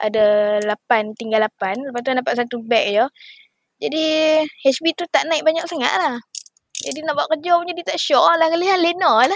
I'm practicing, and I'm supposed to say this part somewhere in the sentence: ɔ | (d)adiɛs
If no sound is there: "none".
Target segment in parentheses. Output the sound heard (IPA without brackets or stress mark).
d͡ʒ